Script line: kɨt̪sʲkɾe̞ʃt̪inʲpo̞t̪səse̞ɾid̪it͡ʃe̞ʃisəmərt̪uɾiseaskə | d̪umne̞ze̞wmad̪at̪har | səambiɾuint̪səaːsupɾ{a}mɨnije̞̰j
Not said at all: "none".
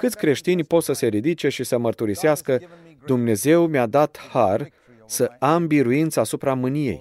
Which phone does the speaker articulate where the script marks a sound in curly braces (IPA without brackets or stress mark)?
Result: a